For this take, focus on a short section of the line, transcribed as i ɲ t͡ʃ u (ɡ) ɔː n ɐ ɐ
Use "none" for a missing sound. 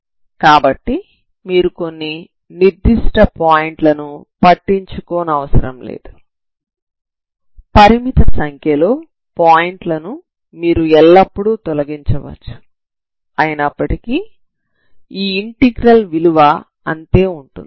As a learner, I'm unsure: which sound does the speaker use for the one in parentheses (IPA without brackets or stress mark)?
k